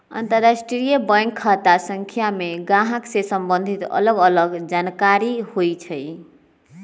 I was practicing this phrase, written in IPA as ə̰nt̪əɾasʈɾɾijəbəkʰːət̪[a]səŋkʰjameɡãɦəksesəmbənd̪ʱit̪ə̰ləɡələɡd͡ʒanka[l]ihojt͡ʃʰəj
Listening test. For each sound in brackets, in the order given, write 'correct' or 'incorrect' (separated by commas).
correct, incorrect